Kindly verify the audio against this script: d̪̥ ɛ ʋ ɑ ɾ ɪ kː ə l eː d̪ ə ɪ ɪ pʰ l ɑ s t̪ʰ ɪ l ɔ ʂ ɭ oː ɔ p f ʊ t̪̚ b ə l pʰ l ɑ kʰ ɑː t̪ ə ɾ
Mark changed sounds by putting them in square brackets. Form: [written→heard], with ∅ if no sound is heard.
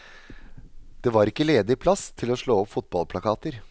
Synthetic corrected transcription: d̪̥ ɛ ʋ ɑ ɾ ɪ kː ə l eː d̪ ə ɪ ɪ pʰ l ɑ s t̪ʰ ɪ l ɔ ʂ ɭ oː ɔ p f ʊ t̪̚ b [ə→ɑ] l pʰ l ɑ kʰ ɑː t̪ ə ɾ